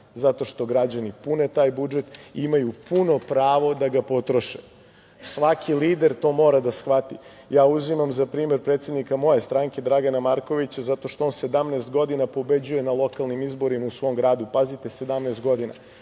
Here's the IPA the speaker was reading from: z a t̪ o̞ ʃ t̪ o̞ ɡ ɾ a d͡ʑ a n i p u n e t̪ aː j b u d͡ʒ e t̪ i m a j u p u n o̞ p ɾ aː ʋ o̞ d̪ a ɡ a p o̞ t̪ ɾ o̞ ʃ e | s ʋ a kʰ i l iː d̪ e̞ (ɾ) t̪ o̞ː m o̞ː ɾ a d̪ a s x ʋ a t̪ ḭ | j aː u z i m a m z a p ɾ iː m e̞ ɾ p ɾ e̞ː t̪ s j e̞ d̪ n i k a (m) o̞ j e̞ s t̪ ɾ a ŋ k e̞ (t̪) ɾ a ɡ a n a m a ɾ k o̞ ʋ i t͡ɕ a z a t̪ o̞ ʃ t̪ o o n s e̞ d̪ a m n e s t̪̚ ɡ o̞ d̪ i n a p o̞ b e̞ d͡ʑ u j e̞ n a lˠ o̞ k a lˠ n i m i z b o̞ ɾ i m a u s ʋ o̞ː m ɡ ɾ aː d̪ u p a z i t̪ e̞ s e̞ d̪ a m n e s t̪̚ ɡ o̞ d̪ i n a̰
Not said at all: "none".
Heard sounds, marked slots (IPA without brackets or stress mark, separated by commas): ɾ, m, d̪